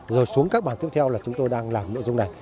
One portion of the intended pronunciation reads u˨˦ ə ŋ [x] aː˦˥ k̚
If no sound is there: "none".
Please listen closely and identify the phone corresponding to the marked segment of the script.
k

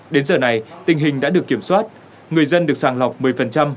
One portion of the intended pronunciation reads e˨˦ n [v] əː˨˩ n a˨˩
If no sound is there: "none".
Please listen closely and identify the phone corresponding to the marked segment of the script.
z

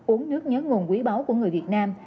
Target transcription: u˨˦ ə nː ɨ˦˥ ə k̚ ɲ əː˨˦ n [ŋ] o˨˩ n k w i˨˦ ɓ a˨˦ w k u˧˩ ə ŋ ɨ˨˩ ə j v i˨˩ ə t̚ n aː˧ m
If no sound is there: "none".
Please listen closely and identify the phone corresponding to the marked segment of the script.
ŋ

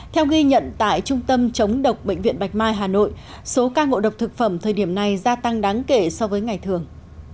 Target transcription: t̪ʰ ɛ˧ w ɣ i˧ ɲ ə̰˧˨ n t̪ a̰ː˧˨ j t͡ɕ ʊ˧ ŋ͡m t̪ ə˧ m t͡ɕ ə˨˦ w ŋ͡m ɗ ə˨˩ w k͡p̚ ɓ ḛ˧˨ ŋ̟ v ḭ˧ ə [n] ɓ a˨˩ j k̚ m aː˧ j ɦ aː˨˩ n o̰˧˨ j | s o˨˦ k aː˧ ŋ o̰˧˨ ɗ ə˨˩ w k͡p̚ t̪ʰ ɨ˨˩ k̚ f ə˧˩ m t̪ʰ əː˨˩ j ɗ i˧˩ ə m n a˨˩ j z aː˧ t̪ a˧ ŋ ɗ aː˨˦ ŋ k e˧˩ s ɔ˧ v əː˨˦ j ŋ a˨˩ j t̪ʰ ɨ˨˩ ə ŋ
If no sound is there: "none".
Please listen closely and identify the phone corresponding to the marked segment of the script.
n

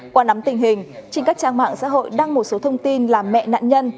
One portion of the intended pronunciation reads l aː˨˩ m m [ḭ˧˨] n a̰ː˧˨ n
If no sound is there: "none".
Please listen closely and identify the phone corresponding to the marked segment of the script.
ɛ̰˧˨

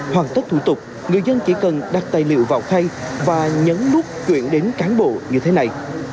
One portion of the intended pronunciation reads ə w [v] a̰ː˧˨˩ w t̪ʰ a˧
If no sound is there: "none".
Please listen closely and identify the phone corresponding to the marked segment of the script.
v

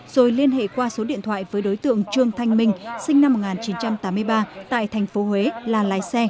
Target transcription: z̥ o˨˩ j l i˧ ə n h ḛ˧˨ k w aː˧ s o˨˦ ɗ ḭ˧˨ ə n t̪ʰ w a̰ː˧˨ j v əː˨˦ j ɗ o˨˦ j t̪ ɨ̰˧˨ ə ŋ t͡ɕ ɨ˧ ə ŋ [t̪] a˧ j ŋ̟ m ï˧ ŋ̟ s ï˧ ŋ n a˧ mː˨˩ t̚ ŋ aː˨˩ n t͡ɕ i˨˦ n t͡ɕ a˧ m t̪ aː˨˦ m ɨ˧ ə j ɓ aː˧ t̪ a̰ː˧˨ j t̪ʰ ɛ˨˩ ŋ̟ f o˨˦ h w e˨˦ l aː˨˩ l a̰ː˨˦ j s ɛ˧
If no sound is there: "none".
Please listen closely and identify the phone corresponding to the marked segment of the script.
t̪ʰ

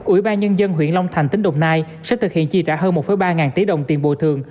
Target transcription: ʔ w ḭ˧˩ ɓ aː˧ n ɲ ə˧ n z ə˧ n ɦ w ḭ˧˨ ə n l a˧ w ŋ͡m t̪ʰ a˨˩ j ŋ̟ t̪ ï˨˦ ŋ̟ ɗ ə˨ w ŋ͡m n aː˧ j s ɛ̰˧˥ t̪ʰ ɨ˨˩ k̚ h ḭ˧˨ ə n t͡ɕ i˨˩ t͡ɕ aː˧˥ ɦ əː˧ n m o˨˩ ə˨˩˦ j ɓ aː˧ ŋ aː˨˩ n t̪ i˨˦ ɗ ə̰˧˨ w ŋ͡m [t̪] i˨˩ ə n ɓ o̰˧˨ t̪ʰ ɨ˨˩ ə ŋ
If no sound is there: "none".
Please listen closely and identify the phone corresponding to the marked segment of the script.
t̪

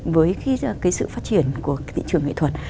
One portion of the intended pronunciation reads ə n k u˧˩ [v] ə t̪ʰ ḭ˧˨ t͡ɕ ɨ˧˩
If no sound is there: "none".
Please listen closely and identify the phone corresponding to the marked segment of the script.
none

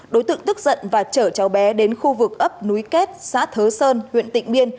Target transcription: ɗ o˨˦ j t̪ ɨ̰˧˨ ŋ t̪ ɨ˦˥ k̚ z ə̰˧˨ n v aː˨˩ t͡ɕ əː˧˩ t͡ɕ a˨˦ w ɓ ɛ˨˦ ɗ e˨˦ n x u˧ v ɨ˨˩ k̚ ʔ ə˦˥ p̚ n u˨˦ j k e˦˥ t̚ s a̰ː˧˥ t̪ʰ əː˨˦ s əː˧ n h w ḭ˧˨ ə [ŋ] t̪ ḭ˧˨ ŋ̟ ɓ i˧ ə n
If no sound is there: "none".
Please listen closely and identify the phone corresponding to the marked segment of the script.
n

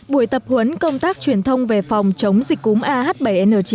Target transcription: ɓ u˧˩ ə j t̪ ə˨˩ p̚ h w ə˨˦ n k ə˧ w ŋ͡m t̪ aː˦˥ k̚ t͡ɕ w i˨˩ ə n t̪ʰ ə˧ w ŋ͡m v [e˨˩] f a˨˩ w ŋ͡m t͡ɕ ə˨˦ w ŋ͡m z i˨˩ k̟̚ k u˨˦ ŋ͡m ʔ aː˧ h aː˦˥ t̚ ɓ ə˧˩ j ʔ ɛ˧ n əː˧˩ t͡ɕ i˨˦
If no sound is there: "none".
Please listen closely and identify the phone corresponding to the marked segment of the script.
e˨˩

